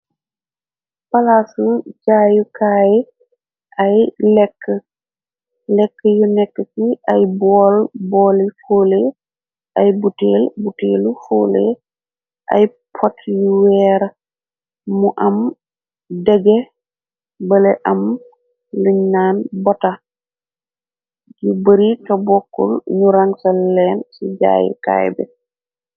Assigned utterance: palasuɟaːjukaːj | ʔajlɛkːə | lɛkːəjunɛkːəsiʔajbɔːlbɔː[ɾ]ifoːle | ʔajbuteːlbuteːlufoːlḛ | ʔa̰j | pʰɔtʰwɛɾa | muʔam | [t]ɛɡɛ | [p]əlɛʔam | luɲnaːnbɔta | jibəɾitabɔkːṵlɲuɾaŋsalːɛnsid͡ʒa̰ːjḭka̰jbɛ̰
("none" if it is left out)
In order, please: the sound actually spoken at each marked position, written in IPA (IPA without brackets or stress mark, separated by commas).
l, d, b